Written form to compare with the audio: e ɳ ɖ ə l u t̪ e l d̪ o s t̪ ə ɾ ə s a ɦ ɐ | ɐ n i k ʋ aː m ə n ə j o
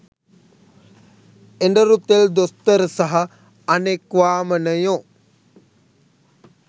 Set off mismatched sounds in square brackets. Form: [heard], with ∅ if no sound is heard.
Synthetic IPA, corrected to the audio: e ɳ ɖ ə [ɾ] u t̪ e l d̪ o s t̪ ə ɾ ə s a ɦ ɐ | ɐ n [e] k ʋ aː m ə n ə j o